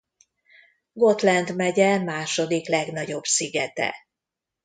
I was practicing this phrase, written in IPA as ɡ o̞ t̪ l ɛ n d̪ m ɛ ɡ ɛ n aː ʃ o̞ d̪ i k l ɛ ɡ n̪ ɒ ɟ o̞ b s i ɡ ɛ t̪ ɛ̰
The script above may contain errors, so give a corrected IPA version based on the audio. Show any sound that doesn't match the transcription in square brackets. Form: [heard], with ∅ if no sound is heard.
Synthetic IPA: ɡ o̞ t̪ l ɛ n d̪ m ɛ [ɟ] ɛ [m] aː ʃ o̞ d̪ i k l ɛ ɡ n̪ ɒ ɟ o̞ b s i ɡ ɛ t̪ ɛ̰